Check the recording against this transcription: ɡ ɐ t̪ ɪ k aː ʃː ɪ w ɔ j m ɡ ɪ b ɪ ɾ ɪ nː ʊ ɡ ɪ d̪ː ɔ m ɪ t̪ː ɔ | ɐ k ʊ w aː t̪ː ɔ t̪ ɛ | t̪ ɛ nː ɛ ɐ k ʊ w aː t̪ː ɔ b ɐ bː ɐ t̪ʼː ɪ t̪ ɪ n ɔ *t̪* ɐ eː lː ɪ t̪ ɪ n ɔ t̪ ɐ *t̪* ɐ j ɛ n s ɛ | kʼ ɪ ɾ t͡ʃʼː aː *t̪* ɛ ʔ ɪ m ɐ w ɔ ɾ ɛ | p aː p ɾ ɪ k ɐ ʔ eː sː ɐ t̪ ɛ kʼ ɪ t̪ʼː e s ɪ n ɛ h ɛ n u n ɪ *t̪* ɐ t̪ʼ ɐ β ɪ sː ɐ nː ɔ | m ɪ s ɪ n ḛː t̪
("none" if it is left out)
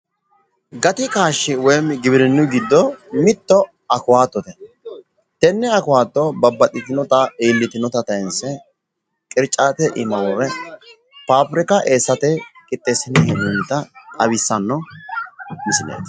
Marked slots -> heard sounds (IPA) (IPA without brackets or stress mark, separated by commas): t̪, t̪, t̪, t̪